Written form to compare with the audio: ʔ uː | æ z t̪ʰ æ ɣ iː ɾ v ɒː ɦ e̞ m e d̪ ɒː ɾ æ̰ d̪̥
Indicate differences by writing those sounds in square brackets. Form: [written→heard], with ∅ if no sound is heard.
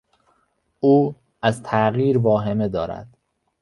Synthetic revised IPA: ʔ uː | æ z t̪ʰ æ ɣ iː ɾ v ɒː ɦ e̞ m e d̪ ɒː ɾ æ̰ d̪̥